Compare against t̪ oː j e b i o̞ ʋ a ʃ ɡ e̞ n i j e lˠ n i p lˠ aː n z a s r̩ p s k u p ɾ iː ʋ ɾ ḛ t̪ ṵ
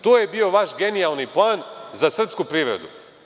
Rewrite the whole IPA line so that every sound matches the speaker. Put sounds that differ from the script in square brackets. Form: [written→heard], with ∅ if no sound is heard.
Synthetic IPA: t̪ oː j e b i o̞ ʋ a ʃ ɡ e̞ n i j [e→a] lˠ n i p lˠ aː n z a s r̩ p s k u p ɾ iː ʋ ɾ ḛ [t̪→d̪] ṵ